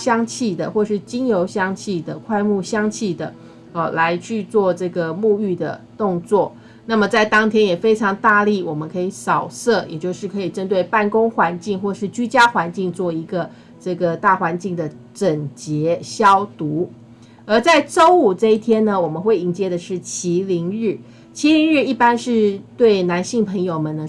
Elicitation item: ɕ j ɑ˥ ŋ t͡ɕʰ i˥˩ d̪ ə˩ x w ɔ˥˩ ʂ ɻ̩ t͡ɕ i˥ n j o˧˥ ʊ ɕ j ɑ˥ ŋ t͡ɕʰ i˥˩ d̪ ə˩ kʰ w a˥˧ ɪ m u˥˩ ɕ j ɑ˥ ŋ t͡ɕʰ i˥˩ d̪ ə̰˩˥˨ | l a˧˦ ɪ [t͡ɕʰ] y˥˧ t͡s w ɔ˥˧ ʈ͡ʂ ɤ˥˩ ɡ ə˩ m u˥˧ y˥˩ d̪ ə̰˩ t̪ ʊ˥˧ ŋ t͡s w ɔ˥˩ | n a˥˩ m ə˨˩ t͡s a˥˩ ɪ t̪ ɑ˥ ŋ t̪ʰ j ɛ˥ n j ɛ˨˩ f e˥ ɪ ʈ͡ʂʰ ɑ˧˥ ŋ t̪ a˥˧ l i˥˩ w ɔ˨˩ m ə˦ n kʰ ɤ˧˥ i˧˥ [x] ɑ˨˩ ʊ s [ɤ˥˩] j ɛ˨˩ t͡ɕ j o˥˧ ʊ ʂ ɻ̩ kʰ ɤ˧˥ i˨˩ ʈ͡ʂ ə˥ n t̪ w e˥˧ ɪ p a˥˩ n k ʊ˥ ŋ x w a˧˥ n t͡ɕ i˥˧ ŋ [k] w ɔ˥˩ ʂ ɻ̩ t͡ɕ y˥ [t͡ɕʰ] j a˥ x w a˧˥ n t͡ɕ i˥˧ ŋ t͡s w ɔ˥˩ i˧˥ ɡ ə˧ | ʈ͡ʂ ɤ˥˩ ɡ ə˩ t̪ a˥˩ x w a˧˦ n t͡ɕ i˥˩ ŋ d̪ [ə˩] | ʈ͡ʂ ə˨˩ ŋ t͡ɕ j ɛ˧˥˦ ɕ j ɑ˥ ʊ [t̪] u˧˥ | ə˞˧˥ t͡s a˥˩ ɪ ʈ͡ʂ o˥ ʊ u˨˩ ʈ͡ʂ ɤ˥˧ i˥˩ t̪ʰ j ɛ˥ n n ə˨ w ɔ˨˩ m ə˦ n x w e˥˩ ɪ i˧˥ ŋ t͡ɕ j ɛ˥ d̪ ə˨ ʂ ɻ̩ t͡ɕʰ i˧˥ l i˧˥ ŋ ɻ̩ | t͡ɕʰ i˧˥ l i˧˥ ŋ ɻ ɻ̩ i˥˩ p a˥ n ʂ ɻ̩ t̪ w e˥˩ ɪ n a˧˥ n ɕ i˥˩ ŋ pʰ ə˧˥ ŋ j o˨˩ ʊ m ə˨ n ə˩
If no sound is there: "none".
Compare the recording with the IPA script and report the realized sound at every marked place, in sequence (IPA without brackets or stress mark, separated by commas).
t͡ɕʰ, s, ɤ˥˩, x, t͡ɕ, ə˩, t̪